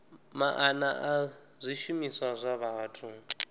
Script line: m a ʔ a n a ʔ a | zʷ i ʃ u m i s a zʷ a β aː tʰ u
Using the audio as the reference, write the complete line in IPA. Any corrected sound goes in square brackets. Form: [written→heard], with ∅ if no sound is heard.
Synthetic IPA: m a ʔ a n a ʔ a | zʷ i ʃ u m i s a zʷ a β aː tʰ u

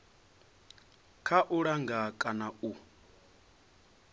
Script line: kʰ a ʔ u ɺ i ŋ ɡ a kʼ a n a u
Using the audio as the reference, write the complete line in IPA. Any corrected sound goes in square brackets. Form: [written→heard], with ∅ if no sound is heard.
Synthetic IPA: kʰ a ʔ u ɺ [i→a] ŋ ɡ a kʼ a n a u

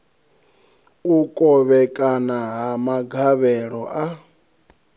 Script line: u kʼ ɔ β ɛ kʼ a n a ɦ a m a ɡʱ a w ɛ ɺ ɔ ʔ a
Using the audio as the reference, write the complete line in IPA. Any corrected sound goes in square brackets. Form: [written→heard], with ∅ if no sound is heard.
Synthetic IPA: u kʼ ɔ β ɛ kʼ a n a ɦ a m a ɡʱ a [w→β] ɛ ɺ ɔ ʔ a

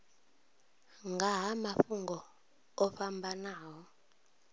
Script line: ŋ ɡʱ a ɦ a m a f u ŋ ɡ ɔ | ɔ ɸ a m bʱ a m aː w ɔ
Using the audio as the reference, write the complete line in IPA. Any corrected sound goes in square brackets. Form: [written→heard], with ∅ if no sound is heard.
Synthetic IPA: ŋ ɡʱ a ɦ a m a f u ŋ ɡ ɔ | ɔ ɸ a m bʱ a [m→n] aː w ɔ

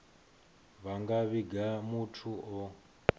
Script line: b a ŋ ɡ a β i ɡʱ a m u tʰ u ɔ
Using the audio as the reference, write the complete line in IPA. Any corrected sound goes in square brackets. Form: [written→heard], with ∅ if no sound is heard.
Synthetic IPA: [b→β] a ŋ ɡ a β i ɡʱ a m u tʰ u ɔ

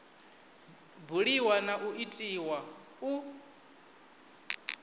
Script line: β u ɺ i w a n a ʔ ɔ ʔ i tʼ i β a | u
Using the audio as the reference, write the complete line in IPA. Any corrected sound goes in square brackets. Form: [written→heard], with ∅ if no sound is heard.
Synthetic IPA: [β→b] u ɺ i w a n a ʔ [ɔ→u] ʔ i tʼ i [β→w] a | u

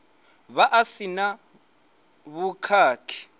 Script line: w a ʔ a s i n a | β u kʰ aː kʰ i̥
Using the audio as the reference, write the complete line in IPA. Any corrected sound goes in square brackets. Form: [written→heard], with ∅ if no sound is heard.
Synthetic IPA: [w→β] a ʔ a s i n a | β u kʰ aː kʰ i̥

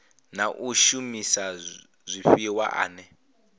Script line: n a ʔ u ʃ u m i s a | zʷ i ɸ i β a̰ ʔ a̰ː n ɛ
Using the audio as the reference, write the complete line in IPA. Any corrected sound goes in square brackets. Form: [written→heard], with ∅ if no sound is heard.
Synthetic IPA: n a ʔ u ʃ u m i s a | zʷ i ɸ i [β→w] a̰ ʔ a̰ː n ɛ

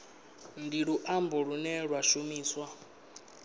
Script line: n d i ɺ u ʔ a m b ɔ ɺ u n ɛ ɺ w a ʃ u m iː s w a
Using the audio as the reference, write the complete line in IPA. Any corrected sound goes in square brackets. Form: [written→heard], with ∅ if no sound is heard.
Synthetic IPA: n d i ɺ u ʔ a m b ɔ ɺ u n ɛ ɺ w a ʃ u m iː s w a

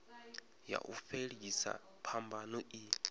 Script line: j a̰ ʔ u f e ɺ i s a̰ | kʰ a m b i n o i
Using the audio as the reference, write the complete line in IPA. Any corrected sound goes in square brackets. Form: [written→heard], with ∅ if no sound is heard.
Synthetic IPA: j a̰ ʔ u f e ɺ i s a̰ | [kʰ→pʰ] a m b [i→a] n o i

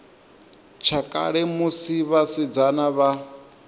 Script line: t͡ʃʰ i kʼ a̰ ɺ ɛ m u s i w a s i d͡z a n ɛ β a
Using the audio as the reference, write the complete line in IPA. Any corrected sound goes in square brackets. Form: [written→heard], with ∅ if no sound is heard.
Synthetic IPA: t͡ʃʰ [i→a] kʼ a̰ ɺ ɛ m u s i [w→β] a s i d͡z a n [ɛ→a] β a

